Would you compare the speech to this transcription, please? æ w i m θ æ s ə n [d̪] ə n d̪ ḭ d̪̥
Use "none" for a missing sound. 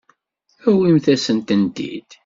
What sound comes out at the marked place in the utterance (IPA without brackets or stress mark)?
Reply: t̪